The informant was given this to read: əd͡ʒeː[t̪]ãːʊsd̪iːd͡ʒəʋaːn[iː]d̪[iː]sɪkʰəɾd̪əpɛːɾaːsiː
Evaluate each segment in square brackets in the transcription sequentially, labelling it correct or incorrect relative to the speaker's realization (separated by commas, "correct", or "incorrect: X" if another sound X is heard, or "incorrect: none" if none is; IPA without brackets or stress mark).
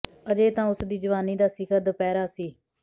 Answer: correct, correct, incorrect: aː